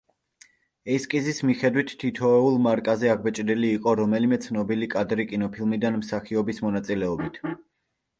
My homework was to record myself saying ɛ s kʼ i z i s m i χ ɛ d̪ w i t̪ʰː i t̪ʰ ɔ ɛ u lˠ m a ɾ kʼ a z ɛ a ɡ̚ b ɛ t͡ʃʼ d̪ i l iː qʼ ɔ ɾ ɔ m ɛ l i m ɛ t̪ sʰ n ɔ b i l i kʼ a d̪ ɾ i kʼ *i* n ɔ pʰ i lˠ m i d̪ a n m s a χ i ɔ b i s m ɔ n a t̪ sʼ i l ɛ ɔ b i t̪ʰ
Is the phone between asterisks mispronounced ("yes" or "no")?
no